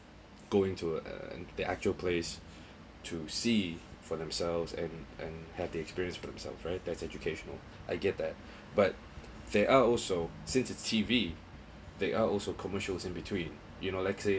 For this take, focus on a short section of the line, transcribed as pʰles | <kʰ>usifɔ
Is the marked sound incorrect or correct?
incorrect